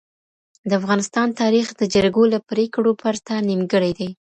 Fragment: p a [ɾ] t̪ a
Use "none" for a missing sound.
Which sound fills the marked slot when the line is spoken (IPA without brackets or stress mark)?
ɾ